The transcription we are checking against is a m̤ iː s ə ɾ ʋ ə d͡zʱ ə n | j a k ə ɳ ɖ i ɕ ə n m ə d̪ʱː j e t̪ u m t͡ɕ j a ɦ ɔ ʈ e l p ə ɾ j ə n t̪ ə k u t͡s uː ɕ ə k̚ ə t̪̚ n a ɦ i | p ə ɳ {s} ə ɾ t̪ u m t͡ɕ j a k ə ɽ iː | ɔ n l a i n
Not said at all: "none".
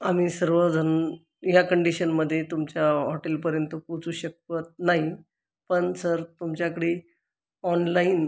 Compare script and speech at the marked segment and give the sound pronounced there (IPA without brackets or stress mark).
s